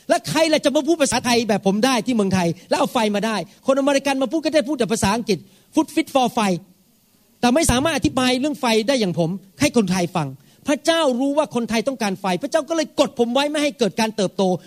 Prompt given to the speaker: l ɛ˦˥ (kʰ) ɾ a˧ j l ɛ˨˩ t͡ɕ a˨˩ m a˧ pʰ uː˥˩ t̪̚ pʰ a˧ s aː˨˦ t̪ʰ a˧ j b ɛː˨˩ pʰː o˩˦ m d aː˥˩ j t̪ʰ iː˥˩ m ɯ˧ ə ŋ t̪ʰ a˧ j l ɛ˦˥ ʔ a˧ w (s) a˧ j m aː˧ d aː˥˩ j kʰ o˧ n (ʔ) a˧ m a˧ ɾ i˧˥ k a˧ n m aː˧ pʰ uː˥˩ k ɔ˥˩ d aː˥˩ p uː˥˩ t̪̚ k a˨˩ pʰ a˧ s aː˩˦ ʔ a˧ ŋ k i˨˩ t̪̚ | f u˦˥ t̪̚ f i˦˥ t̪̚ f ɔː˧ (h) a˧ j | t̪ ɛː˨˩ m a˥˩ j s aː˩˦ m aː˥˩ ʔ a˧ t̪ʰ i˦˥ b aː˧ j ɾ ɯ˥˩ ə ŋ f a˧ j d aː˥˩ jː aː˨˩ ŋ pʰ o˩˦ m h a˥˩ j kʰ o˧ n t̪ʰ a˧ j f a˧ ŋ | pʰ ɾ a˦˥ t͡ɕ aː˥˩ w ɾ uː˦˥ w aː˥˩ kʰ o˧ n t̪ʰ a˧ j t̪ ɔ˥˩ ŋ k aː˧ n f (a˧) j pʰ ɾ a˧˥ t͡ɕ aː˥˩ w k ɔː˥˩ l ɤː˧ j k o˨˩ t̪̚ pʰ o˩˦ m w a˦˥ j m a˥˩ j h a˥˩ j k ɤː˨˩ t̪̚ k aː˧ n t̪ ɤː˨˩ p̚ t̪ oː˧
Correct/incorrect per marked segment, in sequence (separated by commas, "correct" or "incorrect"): correct, incorrect, correct, incorrect, correct